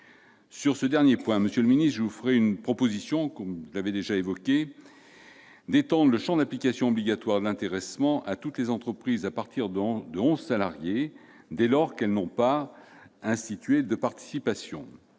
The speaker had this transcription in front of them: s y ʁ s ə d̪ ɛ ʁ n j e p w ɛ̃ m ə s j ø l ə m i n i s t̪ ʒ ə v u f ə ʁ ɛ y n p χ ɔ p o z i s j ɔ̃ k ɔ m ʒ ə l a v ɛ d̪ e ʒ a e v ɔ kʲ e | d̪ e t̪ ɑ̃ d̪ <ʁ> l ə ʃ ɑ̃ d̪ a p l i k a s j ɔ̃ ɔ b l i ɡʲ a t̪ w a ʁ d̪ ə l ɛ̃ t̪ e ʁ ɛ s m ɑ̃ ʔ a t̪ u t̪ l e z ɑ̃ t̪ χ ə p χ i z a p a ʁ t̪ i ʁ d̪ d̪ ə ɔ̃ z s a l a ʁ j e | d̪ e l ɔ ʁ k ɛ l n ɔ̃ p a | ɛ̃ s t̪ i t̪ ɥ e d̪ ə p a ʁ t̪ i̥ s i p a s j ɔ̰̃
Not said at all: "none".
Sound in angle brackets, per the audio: ʁ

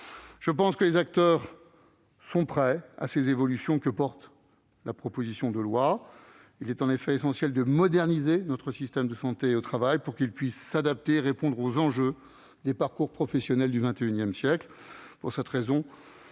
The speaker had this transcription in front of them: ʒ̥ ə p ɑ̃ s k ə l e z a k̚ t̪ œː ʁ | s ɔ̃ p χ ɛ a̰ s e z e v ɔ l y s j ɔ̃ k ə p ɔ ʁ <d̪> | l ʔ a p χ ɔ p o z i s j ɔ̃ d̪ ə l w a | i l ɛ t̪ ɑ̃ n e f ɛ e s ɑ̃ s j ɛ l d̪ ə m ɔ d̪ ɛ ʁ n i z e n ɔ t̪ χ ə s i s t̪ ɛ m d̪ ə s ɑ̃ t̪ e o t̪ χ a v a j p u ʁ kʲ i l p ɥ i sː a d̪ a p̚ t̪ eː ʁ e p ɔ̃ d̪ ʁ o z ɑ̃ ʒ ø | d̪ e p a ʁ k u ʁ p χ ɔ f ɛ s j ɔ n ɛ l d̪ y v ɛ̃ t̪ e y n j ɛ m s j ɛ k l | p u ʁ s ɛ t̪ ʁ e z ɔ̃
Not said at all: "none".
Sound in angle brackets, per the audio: t̪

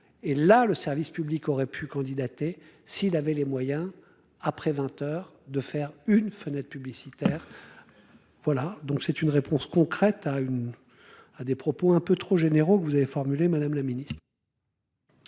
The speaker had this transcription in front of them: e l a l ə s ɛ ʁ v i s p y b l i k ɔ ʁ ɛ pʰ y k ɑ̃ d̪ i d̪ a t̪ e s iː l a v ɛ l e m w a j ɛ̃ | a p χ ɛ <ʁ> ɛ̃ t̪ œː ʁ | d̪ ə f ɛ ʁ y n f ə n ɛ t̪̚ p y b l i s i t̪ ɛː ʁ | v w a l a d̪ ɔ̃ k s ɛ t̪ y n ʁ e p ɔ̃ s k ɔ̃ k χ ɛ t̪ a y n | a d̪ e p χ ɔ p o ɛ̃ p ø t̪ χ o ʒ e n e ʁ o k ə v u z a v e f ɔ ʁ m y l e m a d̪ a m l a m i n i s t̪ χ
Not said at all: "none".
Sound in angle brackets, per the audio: v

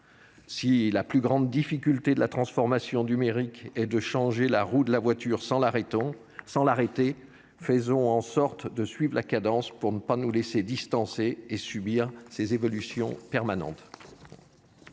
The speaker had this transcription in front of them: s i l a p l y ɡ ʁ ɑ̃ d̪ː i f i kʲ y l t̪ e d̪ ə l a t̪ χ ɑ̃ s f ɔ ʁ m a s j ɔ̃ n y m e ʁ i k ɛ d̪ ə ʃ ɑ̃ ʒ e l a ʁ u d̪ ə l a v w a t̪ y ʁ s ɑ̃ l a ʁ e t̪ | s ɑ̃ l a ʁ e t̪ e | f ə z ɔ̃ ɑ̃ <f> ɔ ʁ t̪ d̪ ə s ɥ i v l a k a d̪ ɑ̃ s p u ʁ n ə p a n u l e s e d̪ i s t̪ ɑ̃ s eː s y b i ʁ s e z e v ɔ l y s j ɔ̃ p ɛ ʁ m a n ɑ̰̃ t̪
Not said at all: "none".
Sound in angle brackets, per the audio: s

